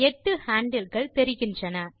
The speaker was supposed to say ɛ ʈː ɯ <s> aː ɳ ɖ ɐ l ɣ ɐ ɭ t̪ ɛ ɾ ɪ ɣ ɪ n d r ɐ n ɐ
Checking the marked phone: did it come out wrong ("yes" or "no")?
yes